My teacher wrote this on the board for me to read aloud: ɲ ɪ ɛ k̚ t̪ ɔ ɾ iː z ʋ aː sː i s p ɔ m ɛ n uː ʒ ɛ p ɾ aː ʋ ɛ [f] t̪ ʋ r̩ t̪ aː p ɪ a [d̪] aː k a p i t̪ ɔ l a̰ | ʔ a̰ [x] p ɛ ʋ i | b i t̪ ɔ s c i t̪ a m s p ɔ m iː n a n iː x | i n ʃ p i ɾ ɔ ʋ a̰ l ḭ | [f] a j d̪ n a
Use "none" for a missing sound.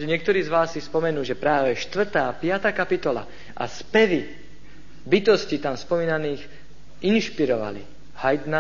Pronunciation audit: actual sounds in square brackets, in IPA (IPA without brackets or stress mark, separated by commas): ʃ, t̪, s, h